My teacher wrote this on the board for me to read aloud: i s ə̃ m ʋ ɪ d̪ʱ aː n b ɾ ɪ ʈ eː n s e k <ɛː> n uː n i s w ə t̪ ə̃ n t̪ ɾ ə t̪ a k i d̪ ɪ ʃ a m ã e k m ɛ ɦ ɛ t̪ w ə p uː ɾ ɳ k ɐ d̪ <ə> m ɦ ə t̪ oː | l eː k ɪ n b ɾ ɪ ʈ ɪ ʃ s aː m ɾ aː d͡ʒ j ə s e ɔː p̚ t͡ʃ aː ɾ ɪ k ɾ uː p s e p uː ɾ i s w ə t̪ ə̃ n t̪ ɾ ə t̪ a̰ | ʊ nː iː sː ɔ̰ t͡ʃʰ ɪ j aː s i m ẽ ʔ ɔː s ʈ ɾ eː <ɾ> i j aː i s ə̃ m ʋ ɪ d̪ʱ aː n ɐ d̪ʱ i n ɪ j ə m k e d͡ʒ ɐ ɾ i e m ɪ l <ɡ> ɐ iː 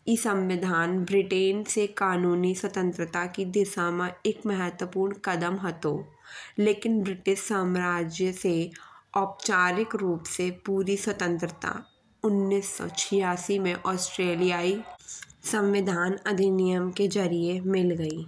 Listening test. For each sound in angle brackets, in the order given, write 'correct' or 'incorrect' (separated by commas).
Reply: incorrect, correct, incorrect, correct